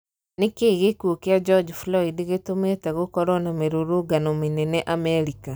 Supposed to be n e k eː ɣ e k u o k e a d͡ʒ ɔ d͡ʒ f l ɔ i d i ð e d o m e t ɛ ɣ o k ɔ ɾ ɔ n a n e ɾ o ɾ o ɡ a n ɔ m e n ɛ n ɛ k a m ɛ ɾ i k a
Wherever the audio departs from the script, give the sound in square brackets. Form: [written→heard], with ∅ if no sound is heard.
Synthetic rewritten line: n e k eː ɣ e k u o k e a d͡ʒ ɔ d͡ʒ f l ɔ i d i [ð→ɣ] e [d→t] o m e t ɛ ɣ o k ɔ ɾ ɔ n a [n→m] e ɾ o ɾ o ɡ a n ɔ m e n ɛ n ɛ [k→ʔ] a m ɛ ɾ i k a